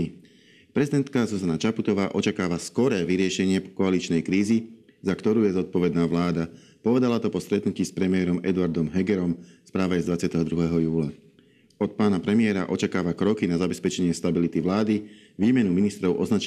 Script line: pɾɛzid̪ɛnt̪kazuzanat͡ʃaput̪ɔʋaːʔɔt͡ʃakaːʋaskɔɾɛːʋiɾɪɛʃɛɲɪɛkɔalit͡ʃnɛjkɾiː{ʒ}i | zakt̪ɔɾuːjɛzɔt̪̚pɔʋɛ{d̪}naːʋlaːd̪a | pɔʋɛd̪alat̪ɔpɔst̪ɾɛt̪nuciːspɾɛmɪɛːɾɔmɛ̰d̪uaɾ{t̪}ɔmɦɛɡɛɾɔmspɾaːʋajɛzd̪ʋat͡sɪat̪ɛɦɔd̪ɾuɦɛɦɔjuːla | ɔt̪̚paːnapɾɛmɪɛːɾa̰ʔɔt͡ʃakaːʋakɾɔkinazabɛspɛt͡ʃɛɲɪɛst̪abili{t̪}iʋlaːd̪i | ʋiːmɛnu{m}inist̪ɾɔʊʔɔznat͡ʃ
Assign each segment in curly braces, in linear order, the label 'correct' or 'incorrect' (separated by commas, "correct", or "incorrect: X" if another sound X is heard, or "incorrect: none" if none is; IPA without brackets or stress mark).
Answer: incorrect: z, correct, incorrect: d̪, correct, correct